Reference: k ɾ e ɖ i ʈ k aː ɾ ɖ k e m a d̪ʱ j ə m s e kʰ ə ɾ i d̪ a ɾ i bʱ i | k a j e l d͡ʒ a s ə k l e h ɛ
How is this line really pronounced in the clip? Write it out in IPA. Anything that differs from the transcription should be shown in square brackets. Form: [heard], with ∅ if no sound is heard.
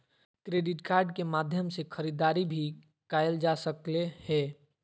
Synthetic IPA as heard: k ɾ e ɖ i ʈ k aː ɾ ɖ k e m a d̪ʱ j ə m s e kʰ ə ɾ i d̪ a ɾ i bʱ i | k a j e l d͡ʒ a s ə k l e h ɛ